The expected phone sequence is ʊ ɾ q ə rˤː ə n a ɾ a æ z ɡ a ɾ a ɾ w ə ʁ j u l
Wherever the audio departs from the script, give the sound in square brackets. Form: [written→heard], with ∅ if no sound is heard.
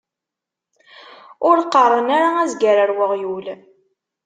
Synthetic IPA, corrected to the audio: ʊ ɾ q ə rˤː ə n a ɾ a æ z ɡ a ɾ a ɾ w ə ʁ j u l